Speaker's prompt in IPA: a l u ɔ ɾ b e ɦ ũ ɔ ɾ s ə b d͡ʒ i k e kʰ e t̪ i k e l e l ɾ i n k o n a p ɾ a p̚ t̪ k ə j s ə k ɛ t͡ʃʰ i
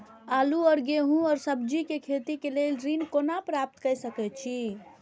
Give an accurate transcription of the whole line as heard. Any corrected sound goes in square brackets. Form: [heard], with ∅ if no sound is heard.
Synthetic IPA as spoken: a l u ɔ ɾ [ɡ] e ɦ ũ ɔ ɾ s ə b d͡ʒ i k e kʰ e t̪ i k e l e l ɾ i n k o n a p ɾ a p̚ t̪ k ə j s ə k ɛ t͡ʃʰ i

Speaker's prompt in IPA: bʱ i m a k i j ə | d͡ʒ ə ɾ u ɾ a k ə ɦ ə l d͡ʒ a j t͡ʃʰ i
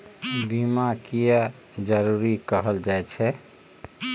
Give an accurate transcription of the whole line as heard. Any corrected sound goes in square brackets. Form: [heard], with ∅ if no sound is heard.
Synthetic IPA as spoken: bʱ i m a k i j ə | d͡ʒ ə ɾ u ɾ [i] k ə ɦ ə l d͡ʒ a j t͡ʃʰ [ɛ]

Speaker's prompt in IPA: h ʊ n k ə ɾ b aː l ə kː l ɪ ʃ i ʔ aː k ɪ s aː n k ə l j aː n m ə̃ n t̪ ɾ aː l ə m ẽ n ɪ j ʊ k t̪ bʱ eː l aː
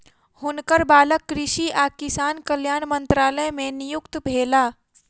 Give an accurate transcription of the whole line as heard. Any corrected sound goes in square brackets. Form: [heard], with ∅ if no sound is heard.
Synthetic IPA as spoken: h ʊ n k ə ɾ b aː l ə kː [ɾ] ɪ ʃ i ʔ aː k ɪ s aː n k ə l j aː n m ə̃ n t̪ ɾ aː l ə m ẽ n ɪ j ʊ k t̪ bʱ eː l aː

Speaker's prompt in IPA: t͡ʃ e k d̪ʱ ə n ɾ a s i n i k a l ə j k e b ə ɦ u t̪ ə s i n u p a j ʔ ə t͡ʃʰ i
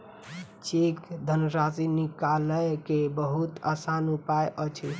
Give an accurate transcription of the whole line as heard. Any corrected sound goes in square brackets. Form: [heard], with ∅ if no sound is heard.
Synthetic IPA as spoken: t͡ʃ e k d̪ʱ ə n ɾ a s i n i k a l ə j k e b ə ɦ u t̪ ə s [a] n u p a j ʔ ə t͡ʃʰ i

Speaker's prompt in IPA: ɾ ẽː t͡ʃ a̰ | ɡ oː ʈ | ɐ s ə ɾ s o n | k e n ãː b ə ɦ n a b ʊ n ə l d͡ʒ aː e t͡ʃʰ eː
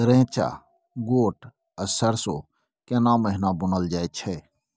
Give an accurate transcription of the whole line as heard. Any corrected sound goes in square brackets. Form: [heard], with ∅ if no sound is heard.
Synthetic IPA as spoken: ɾ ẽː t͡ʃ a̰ | ɡ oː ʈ | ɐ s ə ɾ s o [∅] | k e n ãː [m] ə ɦ n a b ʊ n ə l d͡ʒ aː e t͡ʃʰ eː

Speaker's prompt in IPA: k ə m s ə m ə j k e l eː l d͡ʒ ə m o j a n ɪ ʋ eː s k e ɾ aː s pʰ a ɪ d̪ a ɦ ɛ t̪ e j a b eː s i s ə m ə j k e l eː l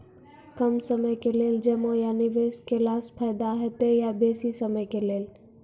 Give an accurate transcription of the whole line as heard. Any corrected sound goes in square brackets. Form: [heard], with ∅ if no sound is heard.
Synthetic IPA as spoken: k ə m s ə m ə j k e l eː l d͡ʒ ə m o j a n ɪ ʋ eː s k e [l] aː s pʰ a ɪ d̪ a ɦ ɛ t̪ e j a b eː s i s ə m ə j k e l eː l

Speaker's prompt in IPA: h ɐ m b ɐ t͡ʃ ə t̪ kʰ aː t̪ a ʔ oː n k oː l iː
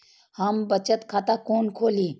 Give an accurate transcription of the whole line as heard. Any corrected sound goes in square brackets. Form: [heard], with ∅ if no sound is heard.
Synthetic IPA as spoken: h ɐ m b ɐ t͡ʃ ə t̪ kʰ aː t̪ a [k] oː n [kʰ] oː l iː

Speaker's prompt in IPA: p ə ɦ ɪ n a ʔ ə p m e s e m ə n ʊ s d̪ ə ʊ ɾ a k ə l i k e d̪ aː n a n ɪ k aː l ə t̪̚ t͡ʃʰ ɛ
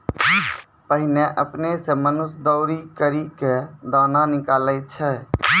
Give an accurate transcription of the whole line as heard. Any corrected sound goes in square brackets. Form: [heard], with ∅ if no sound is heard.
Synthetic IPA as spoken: p ə ɦ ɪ n [e] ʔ ə p [n] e s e m ə n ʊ s d̪ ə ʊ ɾ [i] k ə [ɾ] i k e d̪ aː n a n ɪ k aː l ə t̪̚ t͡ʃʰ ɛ

